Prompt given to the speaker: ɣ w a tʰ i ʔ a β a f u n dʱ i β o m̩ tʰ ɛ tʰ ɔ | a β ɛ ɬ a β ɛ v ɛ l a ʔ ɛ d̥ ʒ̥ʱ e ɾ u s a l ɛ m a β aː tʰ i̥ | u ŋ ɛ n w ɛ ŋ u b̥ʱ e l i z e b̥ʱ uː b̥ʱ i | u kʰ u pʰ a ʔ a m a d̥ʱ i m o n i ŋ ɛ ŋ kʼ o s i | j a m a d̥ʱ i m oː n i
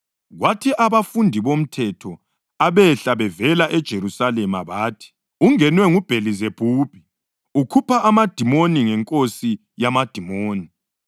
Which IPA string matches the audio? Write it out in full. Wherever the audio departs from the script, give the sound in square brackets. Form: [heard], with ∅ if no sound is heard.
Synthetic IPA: ɣ w a tʰ i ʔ a β a f u n dʱ i β o m̩ tʰ ɛ tʰ ɔ | a β ɛ ɬ a β ɛ v ɛ l a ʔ ɛ d̥ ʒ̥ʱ e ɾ u s a l ɛ m a β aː tʰ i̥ | u ŋ ɛ n w ɛ ŋ u b̥ʱ e l i z e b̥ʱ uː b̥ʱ i | u kʰ u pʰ a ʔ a m a d̥ʱ i m o n i ŋ ɛ ŋ kʼ o s i | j a m a d̥ʱ i m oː n i